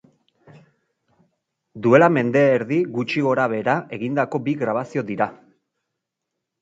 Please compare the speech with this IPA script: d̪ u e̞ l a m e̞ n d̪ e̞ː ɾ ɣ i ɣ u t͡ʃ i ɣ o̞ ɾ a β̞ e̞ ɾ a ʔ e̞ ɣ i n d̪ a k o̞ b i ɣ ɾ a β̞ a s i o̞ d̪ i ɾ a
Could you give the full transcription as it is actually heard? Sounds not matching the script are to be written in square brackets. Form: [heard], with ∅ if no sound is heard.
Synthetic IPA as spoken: d̪ u e̞ l a m e̞ n d̪ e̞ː ɾ [ð] i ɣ u t͡ʃ i ɣ o̞ ɾ a β̞ e̞ ɾ a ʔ e̞ ɣ i n d̪ a k o̞ b i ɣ ɾ a β̞ a s i o̞ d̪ i ɾ a